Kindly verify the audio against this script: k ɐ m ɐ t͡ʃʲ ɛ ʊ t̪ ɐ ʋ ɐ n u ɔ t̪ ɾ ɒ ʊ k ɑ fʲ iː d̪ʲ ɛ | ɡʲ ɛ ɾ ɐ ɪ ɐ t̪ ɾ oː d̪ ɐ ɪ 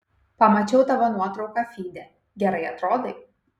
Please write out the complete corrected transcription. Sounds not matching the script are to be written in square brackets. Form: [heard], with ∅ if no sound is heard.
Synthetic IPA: [p] ɐ m ɐ t͡ʃʲ ɛ ʊ t̪ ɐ ʋ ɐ n u ɔ t̪ ɾ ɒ ʊ k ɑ fʲ iː d̪ʲ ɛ | ɡʲ ɛ ɾ ɐ ɪ ɐ t̪ ɾ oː d̪ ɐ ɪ